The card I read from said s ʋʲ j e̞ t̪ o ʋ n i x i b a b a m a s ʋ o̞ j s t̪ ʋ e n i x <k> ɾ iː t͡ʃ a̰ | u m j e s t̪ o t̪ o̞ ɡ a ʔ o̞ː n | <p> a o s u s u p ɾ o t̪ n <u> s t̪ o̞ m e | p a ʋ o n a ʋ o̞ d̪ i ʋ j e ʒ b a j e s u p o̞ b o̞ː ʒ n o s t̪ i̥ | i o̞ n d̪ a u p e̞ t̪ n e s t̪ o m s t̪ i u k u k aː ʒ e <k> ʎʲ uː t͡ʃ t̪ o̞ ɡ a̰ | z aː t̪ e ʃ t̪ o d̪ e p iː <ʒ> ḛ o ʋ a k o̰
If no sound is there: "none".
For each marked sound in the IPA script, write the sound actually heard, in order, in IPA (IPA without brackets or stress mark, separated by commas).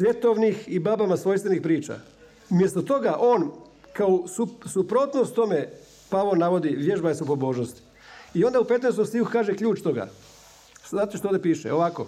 p, k, o, k, ʃ